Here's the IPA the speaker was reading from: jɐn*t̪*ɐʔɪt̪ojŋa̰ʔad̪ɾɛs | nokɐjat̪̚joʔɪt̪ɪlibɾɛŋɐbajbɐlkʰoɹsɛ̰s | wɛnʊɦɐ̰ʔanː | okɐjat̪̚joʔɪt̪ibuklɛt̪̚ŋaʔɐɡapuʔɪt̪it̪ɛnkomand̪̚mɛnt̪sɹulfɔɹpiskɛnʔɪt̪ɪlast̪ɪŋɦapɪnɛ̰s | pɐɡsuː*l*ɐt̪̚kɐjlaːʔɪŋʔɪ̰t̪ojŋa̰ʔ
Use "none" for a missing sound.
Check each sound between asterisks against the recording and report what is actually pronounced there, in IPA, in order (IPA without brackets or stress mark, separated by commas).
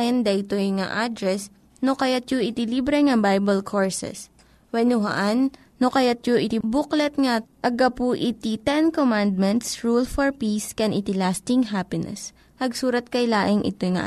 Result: d̪, ɾ